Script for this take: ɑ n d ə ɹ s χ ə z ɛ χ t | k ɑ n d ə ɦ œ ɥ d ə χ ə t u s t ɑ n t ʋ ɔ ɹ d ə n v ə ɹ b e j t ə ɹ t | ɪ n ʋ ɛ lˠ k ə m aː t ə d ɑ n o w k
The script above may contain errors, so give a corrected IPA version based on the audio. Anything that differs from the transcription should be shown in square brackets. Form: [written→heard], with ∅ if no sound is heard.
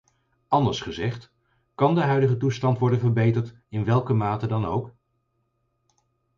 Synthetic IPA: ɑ n d ə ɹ s χ ə z ɛ χ t | k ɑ n d ə ɦ œ ɥ d ə χ ə t u s t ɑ n t ʋ ɔ ɹ d ə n v ə ɹ b e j t ə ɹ t | ɪ n ʋ ɛ lˠ k ə m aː t ə d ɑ n o w k